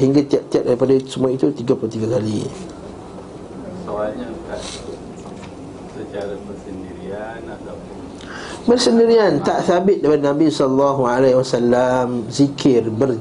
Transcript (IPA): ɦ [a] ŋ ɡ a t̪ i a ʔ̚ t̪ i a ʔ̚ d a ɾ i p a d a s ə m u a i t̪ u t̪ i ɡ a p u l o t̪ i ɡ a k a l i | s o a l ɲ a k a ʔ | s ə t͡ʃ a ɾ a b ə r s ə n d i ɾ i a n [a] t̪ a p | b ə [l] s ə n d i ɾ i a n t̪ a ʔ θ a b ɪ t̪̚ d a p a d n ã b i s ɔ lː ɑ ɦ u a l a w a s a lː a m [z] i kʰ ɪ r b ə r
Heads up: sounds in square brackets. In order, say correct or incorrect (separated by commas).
incorrect, correct, incorrect, correct